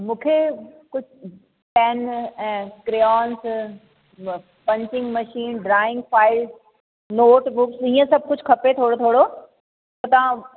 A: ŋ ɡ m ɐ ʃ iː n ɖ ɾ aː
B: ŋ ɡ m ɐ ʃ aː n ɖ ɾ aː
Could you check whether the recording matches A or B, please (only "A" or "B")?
A